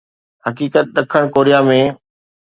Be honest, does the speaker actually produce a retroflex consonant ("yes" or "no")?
yes